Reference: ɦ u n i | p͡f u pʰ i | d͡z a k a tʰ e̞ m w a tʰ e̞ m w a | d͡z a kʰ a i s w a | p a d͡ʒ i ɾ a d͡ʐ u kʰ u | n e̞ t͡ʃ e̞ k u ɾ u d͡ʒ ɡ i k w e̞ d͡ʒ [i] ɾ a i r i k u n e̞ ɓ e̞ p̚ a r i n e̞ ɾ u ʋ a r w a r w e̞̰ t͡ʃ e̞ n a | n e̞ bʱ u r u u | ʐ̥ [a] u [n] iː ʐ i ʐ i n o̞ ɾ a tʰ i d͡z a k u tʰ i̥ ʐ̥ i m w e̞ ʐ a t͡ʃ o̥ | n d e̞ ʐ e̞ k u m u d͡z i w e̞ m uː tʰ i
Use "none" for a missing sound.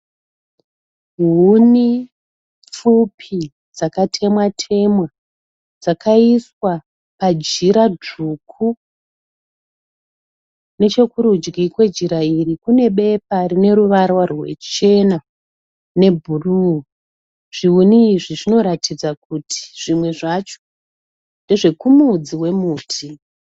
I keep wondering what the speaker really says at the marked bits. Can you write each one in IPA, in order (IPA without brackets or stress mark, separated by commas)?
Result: i, i, n